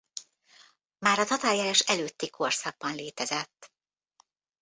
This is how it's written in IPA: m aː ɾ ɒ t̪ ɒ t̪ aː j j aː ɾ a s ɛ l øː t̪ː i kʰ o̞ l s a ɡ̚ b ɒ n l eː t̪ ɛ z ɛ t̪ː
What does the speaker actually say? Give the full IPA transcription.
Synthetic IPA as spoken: m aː ɾ ɒ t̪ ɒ t̪ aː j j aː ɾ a ʃ ɛ l øː t̪ː i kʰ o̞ r s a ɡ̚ b ɒ n l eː t̪ ɛ z ɛ t̪ː